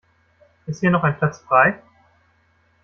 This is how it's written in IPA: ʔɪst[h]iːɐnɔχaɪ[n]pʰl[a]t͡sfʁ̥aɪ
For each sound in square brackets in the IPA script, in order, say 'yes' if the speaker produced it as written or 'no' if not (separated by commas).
yes, yes, yes